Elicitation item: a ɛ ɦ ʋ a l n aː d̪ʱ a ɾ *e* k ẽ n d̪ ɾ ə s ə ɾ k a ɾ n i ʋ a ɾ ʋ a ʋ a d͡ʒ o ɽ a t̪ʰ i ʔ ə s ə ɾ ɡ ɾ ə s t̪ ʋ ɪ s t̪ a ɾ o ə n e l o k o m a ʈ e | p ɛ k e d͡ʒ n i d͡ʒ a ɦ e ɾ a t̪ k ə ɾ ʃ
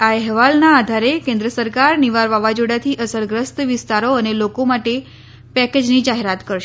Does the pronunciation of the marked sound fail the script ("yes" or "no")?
no